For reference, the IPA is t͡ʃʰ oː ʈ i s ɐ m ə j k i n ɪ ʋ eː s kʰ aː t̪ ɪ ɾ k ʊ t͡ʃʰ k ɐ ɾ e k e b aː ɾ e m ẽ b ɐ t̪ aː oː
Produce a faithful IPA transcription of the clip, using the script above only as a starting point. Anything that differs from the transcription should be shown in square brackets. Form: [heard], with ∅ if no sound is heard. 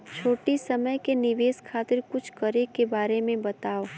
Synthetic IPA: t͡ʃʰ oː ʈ i s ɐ m ə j k [e] n ɪ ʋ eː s kʰ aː t̪ ɪ ɾ k ʊ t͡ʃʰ k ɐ ɾ e k e b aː ɾ e m ẽ b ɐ t̪ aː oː